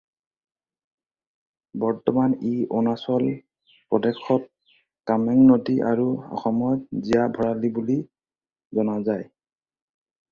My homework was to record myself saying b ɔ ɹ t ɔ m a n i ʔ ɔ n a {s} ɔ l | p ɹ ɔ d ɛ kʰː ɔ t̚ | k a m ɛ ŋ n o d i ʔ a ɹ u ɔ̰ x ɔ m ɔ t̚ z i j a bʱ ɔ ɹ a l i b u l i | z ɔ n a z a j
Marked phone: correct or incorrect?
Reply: correct